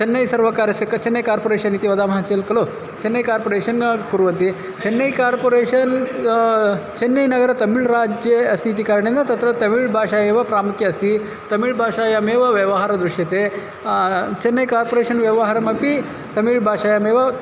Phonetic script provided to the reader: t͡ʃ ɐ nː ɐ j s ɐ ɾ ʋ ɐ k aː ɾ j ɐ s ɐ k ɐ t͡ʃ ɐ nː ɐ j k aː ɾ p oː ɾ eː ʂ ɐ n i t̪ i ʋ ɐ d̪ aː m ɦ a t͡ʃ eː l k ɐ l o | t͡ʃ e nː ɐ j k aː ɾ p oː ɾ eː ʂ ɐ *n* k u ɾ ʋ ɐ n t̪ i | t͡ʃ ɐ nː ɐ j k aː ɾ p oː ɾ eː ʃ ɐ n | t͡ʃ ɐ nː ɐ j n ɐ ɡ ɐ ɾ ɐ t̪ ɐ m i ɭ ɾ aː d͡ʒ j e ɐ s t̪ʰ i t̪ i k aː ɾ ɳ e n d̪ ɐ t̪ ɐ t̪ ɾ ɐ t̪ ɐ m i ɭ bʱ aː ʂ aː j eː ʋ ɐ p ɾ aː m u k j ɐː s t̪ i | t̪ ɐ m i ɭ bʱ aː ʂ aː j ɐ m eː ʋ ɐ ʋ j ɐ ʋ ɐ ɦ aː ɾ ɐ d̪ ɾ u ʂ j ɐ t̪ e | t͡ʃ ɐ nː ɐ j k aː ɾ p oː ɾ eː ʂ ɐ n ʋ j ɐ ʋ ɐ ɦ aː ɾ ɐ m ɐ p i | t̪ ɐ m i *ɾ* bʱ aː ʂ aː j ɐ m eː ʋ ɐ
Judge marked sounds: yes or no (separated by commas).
yes, no